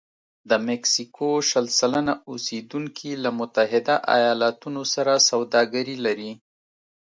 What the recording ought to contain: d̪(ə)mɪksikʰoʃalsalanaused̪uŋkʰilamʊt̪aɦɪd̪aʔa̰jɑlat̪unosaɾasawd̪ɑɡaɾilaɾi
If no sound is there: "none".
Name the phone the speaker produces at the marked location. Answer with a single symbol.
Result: ə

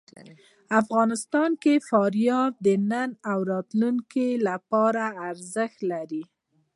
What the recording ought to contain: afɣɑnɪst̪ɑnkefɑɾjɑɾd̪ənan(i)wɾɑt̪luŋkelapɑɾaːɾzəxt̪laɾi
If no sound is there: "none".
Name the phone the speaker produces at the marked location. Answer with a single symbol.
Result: a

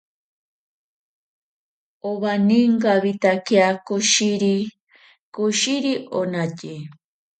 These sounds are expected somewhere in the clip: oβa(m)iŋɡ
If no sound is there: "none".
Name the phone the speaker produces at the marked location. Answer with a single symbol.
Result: n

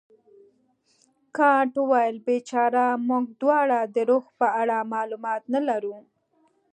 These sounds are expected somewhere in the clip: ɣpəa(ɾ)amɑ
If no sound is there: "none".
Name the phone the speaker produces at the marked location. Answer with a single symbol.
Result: ɽ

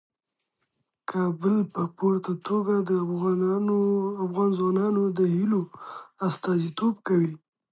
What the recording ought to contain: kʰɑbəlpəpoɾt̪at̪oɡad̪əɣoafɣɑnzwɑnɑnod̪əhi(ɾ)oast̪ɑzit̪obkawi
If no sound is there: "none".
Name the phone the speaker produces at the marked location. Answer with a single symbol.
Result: l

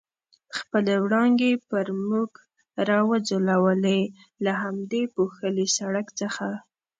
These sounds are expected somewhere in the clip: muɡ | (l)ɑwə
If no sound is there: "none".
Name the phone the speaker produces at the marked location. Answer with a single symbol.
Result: ɾ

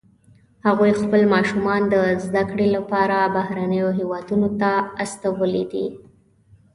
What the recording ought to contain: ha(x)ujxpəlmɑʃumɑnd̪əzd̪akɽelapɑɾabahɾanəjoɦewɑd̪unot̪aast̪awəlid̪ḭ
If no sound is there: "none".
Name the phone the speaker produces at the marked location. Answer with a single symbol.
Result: ɣ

